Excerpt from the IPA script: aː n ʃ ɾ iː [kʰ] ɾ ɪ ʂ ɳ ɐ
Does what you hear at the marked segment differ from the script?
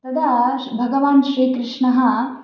yes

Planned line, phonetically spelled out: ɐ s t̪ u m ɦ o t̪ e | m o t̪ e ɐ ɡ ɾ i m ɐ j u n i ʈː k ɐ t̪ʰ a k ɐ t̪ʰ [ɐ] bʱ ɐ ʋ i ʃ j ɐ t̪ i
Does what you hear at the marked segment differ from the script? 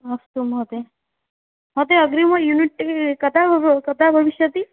yes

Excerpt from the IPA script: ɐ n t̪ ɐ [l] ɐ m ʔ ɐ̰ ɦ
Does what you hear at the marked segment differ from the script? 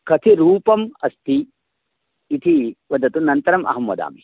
yes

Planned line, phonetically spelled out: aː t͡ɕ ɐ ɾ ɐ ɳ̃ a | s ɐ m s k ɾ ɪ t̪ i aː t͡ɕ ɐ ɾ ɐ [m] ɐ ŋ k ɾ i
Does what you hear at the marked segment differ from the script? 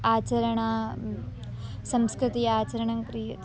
yes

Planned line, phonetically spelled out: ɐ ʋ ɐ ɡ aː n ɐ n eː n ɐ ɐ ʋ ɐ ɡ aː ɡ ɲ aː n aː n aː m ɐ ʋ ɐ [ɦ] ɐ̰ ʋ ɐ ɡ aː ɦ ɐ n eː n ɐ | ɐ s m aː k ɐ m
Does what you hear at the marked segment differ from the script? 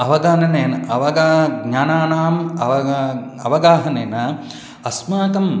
yes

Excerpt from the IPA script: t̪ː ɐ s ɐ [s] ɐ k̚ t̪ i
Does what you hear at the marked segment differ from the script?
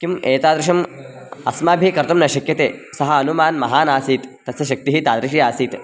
yes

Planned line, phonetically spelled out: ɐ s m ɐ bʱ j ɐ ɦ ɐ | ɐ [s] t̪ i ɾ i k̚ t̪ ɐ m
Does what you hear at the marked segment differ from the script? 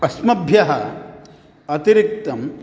yes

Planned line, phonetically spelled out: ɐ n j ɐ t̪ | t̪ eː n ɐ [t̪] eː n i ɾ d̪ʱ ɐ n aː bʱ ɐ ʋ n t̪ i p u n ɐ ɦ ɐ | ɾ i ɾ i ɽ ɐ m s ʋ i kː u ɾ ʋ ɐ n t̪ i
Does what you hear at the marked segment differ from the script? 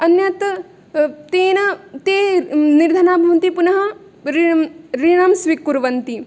no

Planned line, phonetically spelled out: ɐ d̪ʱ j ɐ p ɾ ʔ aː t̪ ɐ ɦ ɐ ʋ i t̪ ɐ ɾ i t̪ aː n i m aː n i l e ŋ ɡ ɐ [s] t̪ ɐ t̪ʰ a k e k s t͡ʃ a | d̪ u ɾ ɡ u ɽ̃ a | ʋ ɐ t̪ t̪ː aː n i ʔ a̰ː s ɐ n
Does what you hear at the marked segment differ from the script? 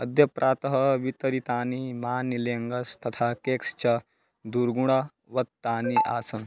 no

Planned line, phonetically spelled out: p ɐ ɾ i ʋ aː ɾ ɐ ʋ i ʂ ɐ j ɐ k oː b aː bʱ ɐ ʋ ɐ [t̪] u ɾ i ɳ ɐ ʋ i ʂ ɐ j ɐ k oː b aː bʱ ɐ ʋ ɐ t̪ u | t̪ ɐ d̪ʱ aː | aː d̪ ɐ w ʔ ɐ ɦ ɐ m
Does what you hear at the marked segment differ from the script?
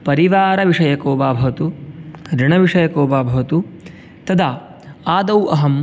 no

